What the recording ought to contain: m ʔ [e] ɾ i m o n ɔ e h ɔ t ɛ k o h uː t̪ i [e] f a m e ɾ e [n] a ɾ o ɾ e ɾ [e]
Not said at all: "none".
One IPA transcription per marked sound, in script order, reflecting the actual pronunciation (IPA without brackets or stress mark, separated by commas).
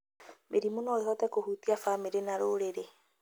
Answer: e, a, n, e